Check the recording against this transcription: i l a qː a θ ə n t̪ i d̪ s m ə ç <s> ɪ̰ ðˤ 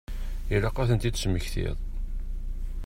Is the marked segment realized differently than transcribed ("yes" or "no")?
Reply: yes